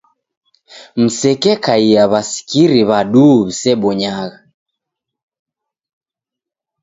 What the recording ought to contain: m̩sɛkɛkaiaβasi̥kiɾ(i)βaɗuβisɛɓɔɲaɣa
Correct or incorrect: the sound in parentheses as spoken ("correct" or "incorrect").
correct